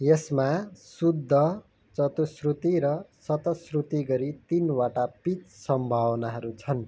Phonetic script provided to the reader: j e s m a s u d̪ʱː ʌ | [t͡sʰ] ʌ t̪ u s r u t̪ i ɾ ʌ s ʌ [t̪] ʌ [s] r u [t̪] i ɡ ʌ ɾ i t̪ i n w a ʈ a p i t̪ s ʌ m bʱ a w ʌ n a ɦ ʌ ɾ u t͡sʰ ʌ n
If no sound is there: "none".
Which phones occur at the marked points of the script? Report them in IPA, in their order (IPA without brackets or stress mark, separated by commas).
t͡s, t̪, s, t̪